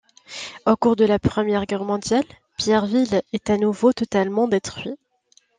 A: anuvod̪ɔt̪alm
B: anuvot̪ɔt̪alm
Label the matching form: B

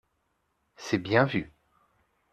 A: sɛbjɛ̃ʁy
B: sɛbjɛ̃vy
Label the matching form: B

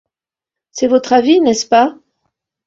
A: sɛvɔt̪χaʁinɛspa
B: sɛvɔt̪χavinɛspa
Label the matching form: B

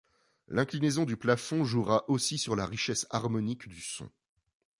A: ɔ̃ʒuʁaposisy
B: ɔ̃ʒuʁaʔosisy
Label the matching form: B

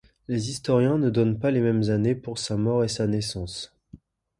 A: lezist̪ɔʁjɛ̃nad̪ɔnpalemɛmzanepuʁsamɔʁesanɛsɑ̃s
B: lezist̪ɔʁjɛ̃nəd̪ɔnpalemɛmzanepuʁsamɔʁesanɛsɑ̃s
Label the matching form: B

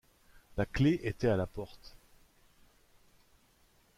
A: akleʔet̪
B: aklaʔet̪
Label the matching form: A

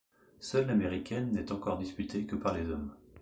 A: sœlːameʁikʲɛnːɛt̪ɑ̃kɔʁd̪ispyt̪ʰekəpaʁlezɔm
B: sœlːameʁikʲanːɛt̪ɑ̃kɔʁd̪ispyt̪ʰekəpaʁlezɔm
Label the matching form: A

